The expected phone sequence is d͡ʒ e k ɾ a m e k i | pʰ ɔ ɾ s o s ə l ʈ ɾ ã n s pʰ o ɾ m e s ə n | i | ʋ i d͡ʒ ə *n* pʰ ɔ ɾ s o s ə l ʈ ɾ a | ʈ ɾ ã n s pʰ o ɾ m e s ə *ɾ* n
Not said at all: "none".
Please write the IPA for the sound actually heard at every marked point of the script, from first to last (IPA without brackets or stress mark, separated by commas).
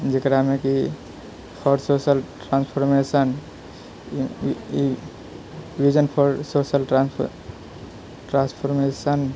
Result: n, none